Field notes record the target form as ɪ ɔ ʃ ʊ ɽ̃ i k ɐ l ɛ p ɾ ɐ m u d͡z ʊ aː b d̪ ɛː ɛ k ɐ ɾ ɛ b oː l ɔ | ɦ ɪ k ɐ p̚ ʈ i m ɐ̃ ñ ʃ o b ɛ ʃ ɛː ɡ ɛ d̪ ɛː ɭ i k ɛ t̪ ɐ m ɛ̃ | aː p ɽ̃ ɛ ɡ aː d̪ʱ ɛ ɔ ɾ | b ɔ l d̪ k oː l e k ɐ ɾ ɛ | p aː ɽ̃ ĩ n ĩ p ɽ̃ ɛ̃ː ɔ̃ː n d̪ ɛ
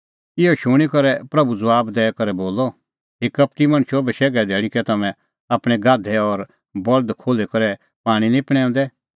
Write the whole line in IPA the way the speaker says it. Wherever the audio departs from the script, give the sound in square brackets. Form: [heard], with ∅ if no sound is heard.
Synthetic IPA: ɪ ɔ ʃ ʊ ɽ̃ i k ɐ [ɾ] ɛ p ɾ ɐ [b] u d͡z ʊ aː b d̪ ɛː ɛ k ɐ ɾ ɛ b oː l ɔ | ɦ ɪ k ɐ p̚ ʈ i m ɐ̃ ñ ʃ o b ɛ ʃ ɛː ɡ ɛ d̪ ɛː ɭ i k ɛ t̪ ɐ m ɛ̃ | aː p ɽ̃ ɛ ɡ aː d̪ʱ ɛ ɔ ɾ | b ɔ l d̪ [kʰ] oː l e k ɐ ɾ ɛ | p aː ɽ̃ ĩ n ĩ p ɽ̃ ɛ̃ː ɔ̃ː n d̪ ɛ